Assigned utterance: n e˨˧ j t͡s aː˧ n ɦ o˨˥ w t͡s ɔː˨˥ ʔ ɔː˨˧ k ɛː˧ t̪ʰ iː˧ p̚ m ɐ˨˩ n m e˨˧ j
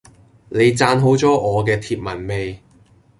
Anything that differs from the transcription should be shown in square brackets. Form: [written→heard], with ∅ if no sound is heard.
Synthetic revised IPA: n e˨˧ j t͡s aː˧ n ɦ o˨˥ w t͡s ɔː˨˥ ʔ ɔː˨˧ k ɛː˧ t̪ʰ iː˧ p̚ m ɐ˨˩ n m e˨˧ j